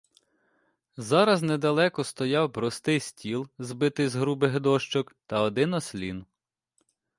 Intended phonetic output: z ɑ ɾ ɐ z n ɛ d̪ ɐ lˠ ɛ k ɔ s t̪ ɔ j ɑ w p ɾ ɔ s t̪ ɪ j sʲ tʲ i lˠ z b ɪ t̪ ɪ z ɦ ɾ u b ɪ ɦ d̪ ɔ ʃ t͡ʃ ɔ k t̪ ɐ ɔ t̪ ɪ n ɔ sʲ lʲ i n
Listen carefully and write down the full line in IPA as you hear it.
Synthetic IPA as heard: z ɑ ɾ ɐ z n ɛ d̪ ɐ lˠ ɛ k ɔ s t̪ ɔ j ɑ w p ɾ ɔ s t̪ ɪ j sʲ tʲ i lˠ z b ɪ t̪ ɪ z ɦ ɾ u b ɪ ɦ d̪ ɔ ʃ t͡ʃ ɔ k t̪ ɐ ɔ d̪ ɪ n ɔ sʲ lʲ i n